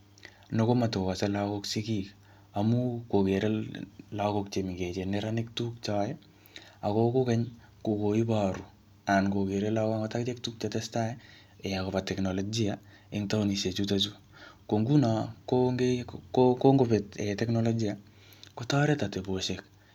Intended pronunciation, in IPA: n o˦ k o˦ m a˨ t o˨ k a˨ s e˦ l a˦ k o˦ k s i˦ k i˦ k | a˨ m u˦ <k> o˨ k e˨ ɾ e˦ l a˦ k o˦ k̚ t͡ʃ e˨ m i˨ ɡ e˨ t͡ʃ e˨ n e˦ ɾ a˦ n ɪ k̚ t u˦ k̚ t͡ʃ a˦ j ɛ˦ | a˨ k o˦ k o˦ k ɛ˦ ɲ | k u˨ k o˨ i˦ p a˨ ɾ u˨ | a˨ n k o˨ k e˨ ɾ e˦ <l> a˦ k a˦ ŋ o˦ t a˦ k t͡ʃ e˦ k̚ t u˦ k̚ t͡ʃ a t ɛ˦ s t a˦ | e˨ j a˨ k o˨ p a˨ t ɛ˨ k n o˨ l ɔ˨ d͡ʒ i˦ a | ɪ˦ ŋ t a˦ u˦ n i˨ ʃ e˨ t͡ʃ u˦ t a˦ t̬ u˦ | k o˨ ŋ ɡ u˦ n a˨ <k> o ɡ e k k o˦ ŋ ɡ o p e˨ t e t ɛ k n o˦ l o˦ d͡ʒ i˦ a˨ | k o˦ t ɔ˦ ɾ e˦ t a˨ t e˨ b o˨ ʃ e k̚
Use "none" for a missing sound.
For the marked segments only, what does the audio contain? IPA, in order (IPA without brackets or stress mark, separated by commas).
k, l, k